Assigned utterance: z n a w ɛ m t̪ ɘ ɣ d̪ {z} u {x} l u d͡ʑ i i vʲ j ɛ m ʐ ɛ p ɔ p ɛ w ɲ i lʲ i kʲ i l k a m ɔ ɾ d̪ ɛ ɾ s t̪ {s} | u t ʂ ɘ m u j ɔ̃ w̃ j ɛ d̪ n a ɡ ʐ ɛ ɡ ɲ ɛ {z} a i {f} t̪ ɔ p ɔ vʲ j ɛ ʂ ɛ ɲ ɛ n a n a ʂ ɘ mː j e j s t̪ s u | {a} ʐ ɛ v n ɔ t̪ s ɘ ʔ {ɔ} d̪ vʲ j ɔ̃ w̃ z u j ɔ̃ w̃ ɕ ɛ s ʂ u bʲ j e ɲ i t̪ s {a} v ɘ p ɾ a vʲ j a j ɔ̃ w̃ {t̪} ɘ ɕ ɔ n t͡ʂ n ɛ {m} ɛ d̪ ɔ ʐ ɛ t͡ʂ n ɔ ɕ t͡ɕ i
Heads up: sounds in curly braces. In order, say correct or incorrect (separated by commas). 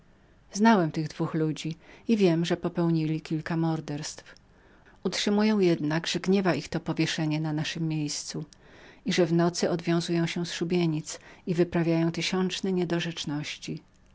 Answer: incorrect, correct, incorrect, incorrect, incorrect, incorrect, correct, incorrect, correct, incorrect